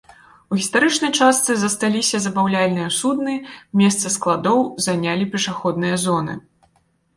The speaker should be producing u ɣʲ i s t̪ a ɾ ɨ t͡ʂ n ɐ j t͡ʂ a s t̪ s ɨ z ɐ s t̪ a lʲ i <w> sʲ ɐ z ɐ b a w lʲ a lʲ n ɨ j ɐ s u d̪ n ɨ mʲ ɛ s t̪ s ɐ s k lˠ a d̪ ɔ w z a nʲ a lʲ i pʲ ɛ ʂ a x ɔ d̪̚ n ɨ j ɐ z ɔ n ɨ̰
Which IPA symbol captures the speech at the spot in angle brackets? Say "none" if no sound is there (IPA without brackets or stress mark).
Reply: none